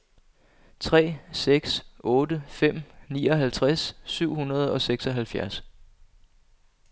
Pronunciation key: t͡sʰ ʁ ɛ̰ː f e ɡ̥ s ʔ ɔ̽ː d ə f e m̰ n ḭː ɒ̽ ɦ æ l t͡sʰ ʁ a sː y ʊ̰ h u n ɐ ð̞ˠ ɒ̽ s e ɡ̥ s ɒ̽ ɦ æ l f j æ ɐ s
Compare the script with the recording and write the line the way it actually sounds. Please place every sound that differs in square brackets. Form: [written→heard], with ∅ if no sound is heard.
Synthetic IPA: t͡sʰ ʁ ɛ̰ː [f→s] e ɡ̥ s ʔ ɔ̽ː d ə f e m̰ n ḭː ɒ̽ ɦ æ l t͡sʰ ʁ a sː y ʊ̰ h u n ɐ ð̞ˠ ɒ̽ s e ɡ̥ s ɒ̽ ɦ æ l f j æ ɐ s

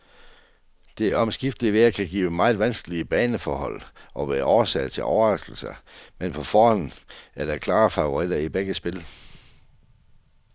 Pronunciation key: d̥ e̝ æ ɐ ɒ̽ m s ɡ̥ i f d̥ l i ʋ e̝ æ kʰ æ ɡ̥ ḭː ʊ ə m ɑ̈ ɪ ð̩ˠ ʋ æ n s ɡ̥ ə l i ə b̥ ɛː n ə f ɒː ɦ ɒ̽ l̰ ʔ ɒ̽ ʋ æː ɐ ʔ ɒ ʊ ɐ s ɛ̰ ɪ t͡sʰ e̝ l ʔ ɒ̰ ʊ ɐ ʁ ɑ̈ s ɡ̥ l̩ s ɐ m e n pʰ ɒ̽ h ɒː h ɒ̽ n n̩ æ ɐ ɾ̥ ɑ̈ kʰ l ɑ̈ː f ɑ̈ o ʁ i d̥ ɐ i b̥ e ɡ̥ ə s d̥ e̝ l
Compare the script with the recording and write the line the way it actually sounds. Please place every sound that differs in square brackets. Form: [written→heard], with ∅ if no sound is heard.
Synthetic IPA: d̥ e̝ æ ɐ ɒ̽ m s ɡ̥ i f d̥ l i ʋ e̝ æ kʰ æ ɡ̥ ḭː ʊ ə m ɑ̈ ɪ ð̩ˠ ʋ æ n s ɡ̥ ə l i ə b̥ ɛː n ə f ɒː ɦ ɒ̽ l̰ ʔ ɒ̽ ʋ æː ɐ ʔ ɒ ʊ ɐ s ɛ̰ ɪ t͡sʰ e̝ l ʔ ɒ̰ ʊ ɐ ʁ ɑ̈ s ɡ̥ l̩ s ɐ m e n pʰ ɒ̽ [h→f] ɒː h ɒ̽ n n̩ æ ɐ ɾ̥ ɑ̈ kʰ l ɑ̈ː f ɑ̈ o ʁ i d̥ ɐ i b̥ e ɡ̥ ə s [d̥→b̥] e̝ l

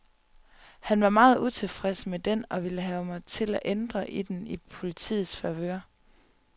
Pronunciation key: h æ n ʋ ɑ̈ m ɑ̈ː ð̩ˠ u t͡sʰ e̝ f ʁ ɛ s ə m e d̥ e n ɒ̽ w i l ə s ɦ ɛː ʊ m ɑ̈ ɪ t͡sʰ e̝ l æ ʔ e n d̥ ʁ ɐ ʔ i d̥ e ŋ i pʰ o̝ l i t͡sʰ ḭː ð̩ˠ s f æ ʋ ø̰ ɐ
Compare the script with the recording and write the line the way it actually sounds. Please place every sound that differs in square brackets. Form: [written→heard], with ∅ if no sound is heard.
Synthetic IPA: h æ n ʋ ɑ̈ m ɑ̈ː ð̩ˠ u t͡sʰ e̝ f ʁ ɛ s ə m e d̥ e n ɒ̽ [w→ʋ] i l ə [s→∅] ɦ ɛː ʊ m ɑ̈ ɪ t͡sʰ e̝ l æ ʔ e n d̥ ʁ ɐ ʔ i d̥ e [ŋ→n] i pʰ o̝ l i t͡sʰ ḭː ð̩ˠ s f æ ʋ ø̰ ɐ

